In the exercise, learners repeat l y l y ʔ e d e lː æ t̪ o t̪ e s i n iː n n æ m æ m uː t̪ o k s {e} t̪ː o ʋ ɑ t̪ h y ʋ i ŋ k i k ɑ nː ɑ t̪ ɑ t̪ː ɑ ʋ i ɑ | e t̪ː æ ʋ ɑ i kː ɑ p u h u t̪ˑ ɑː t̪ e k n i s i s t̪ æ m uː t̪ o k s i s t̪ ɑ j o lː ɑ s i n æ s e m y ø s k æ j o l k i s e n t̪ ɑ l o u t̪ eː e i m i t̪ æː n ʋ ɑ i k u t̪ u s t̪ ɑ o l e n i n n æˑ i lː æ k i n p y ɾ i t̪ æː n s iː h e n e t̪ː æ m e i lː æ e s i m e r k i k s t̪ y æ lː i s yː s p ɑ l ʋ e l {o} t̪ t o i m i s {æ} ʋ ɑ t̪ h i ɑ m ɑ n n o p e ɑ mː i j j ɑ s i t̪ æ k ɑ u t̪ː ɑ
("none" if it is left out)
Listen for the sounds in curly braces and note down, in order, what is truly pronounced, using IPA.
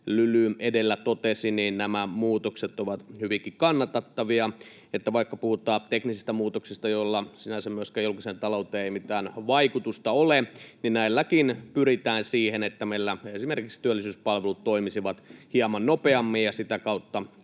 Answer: e, u, i

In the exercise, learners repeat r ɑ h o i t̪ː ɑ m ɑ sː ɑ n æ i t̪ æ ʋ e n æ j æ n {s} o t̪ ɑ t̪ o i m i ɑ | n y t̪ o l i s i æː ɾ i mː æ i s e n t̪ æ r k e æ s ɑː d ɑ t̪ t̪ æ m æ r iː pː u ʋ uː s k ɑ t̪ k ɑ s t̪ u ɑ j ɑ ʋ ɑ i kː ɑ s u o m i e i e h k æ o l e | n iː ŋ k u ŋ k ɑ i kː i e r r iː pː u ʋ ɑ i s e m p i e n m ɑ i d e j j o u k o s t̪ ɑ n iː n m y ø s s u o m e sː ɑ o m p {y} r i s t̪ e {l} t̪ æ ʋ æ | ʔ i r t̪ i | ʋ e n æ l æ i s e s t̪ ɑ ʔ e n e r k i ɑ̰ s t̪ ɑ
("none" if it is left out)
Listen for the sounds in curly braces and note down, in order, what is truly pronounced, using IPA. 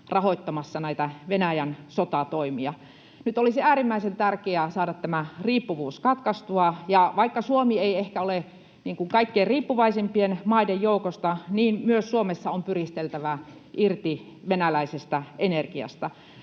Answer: s, y, l

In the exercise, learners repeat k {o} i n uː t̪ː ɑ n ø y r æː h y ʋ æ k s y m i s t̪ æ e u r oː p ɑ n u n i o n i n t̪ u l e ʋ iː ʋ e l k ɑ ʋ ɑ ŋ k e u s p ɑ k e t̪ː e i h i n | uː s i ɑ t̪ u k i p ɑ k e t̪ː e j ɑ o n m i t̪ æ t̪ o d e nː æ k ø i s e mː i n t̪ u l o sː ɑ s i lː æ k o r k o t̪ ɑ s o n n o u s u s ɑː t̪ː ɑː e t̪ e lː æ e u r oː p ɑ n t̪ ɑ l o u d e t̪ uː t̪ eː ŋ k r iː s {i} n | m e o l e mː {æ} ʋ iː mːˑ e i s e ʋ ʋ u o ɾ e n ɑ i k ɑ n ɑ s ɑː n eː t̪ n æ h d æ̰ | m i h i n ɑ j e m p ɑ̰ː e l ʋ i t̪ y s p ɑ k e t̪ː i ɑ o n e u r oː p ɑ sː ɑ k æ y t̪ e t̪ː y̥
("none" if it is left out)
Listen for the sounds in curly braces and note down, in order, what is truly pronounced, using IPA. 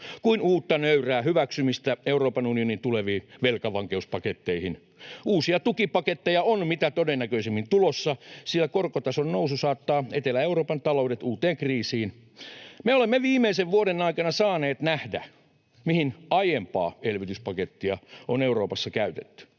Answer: u, iː, e

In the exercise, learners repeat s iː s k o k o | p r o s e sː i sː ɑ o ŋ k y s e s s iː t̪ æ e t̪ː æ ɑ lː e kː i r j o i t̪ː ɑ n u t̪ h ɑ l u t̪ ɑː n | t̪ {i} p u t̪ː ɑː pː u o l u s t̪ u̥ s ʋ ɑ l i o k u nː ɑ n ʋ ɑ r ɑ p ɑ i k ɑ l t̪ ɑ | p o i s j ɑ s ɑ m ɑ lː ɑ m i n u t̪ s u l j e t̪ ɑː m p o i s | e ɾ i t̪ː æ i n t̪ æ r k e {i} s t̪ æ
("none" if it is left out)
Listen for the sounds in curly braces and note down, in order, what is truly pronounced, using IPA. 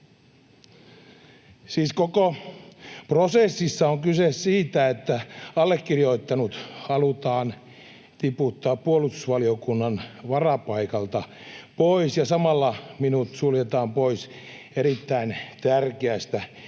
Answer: i, æ

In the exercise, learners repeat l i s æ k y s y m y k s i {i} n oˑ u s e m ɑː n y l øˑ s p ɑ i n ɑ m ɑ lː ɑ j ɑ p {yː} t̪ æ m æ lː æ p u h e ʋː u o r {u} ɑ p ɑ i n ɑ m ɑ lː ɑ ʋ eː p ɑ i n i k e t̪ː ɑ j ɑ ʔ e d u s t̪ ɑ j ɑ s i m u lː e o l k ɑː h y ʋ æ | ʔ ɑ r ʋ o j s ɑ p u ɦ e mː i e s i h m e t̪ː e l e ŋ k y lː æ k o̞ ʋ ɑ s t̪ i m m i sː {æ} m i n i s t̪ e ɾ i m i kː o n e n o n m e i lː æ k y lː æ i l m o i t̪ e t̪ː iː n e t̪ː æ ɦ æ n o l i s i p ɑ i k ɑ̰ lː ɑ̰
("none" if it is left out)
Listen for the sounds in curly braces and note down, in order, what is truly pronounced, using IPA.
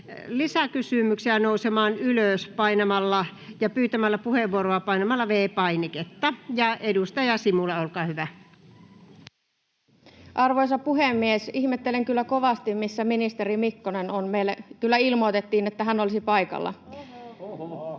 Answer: æ, yː, o, æ

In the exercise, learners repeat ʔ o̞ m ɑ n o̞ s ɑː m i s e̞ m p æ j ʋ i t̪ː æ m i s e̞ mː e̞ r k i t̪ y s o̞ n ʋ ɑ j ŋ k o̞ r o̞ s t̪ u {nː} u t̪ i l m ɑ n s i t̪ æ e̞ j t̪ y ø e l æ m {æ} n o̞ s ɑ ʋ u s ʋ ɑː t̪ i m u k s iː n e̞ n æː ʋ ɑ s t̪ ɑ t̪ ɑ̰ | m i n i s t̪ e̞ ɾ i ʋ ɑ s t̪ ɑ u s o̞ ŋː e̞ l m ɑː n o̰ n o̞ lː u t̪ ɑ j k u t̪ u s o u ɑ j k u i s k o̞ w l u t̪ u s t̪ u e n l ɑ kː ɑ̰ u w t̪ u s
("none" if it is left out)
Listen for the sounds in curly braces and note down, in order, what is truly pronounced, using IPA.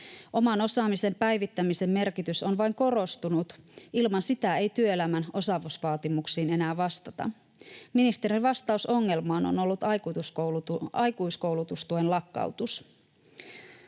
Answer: n, æ

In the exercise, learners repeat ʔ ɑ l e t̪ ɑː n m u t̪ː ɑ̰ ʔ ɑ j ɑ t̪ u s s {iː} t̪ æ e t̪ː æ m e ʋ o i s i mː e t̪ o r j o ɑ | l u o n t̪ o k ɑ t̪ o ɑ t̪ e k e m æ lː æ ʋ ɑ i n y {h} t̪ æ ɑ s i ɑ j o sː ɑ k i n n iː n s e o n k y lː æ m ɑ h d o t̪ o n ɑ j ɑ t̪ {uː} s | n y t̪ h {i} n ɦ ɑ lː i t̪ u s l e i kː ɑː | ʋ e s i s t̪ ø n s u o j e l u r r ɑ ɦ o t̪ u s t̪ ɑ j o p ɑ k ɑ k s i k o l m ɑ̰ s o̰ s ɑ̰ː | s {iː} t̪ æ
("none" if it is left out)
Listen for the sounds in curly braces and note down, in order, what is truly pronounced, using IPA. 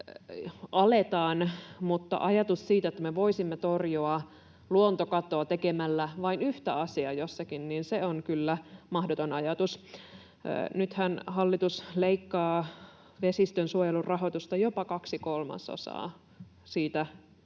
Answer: iː, h, u, æ, iː

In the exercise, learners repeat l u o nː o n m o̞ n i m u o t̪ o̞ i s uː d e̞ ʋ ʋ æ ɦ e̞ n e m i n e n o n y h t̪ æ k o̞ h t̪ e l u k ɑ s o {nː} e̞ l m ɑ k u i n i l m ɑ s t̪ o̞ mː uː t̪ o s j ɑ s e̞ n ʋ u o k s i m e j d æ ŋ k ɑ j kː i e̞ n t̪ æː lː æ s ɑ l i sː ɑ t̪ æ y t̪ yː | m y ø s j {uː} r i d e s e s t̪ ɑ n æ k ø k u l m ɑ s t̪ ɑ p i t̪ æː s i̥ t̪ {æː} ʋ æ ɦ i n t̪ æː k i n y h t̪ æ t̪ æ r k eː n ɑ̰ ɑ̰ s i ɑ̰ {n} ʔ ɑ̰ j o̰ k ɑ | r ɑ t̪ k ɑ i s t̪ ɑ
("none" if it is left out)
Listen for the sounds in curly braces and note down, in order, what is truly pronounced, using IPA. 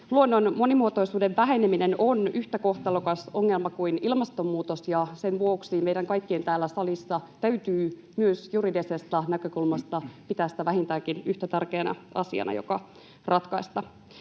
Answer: ŋː, u, æ, n

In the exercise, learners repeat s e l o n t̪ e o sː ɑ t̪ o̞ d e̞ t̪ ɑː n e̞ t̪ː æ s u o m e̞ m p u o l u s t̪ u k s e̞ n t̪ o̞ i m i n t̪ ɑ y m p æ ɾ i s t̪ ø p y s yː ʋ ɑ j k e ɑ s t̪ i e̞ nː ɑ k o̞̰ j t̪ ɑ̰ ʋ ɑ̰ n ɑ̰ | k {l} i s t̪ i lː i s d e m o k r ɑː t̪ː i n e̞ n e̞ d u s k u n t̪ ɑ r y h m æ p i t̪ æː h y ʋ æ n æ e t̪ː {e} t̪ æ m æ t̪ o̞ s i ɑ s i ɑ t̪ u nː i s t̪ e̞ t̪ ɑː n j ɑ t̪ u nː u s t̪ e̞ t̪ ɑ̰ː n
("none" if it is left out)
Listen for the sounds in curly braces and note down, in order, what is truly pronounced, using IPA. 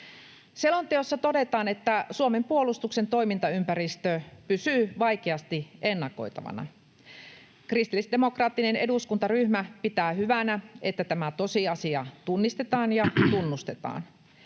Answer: r, æ

